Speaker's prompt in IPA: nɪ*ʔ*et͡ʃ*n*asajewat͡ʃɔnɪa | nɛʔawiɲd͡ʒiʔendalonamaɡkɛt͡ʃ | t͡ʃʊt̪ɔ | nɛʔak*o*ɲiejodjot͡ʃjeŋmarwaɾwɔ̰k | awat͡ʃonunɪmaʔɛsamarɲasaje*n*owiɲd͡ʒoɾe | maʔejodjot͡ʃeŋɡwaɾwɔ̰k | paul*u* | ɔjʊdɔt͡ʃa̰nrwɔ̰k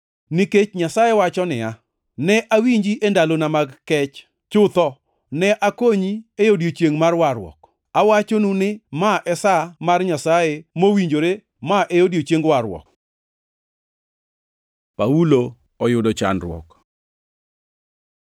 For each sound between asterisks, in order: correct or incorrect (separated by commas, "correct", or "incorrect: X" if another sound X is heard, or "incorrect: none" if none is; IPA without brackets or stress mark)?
incorrect: k, incorrect: ɲ, correct, incorrect: m, incorrect: o